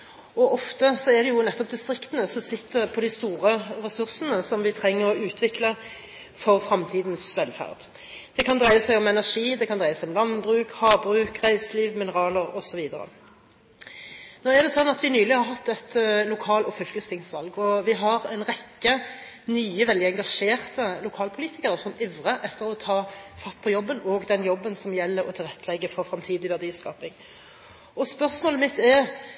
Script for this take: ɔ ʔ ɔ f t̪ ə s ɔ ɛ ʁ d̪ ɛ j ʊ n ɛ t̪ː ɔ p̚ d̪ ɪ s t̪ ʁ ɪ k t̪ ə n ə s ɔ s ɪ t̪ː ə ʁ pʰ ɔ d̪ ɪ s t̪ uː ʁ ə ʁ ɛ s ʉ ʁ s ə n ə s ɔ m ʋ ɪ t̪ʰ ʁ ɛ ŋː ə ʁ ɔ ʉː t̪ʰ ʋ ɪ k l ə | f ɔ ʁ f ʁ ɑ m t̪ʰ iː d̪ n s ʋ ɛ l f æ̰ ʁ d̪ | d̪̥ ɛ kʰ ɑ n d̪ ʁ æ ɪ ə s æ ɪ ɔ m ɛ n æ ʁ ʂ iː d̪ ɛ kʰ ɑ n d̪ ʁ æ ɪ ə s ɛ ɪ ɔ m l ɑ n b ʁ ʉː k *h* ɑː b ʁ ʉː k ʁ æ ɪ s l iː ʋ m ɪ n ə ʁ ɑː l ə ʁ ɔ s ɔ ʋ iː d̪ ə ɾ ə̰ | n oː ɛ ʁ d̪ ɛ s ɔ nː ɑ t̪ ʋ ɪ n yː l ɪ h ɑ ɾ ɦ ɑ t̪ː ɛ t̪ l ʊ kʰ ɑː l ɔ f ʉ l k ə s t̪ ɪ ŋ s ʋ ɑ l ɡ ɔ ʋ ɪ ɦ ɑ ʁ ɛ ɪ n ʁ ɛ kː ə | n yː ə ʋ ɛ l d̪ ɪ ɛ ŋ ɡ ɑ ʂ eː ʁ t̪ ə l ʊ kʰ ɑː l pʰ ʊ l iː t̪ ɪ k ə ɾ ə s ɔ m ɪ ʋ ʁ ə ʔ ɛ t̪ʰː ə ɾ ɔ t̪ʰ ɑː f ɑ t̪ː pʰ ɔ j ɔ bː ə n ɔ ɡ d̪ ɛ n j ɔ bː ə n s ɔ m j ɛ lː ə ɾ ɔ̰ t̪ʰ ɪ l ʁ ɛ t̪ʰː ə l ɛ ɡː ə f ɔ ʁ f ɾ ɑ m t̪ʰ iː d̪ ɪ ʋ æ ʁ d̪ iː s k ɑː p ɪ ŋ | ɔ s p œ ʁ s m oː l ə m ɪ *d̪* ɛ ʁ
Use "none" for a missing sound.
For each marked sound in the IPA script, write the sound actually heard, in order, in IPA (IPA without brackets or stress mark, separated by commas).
h, t̪